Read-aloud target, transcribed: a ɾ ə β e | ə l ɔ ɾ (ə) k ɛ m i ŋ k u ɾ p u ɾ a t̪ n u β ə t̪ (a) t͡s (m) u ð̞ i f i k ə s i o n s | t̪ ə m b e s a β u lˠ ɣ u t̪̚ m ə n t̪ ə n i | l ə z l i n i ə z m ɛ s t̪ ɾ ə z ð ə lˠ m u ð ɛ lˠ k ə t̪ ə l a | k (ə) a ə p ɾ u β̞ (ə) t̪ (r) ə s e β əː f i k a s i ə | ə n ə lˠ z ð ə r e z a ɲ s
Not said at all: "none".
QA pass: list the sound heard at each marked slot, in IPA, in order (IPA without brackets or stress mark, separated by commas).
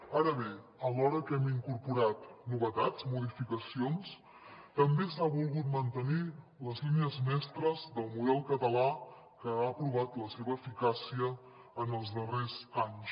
ə, a, m, ə, a, l